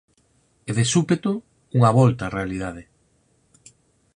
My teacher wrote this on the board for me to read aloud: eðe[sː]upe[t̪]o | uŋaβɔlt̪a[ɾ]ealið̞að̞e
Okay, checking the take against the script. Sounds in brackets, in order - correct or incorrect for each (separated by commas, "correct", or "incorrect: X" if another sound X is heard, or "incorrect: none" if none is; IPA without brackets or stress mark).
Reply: incorrect: s, correct, incorrect: r